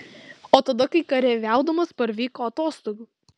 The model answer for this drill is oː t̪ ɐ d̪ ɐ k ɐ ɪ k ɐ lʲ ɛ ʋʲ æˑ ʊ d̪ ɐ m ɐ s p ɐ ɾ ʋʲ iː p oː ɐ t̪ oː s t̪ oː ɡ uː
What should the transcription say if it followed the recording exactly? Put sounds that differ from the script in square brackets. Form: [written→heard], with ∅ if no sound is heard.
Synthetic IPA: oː t̪ ɐ d̪ ɐ k ɐ ɪ k ɐ [lʲ→ɾʲ] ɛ ʋʲ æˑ ʊ d̪ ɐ m ɐ s p ɐ ɾ ʋʲ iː [p→k] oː ɐ t̪ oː s t̪ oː ɡ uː